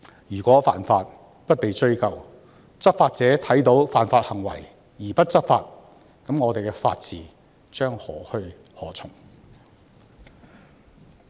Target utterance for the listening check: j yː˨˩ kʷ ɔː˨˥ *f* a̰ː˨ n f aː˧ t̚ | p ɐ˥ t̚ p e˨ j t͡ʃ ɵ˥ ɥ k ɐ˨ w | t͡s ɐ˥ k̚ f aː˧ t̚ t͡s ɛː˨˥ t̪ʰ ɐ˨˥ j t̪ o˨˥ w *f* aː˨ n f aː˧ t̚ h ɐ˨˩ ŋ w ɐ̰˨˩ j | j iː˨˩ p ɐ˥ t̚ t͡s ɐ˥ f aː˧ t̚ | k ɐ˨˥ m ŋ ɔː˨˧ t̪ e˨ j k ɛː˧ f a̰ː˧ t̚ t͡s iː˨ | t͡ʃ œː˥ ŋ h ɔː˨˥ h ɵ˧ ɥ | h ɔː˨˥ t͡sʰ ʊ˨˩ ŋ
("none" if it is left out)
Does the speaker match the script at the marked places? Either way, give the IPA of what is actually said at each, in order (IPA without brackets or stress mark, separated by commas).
f, f